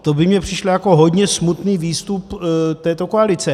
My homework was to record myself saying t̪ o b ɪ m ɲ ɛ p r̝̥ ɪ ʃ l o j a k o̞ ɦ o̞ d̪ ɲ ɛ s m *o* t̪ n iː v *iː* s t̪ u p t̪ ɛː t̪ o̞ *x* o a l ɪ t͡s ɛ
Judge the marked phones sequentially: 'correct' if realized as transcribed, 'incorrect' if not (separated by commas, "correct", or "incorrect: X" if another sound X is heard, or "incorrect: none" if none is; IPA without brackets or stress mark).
incorrect: u, correct, incorrect: k